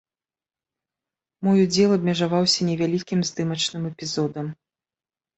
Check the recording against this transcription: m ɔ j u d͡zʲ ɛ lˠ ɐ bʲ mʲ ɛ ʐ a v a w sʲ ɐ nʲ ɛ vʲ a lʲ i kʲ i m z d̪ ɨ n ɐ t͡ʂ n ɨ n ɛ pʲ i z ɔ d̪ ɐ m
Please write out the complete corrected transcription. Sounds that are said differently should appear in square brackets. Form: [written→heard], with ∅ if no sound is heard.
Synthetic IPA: m ɔ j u d͡zʲ ɛ lˠ ɐ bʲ mʲ ɛ ʐ a v a w sʲ ɐ nʲ ɛ vʲ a lʲ i kʲ i m z d̪ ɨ [n→m] ɐ t͡ʂ n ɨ [n→m] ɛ pʲ i z ɔ d̪ ɐ m